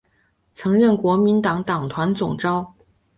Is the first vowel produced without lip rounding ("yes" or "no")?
yes